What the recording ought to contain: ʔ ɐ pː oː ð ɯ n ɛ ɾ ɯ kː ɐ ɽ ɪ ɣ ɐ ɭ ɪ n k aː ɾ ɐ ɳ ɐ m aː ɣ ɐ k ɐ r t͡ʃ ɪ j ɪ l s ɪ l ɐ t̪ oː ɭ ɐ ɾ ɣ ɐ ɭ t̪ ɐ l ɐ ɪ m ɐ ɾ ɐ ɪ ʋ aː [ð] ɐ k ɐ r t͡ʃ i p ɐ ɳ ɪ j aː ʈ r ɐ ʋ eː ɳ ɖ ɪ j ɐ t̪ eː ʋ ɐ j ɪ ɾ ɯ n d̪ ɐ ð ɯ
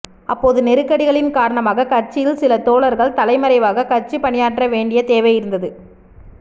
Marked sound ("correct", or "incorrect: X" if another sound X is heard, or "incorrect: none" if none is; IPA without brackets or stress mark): incorrect: ɣ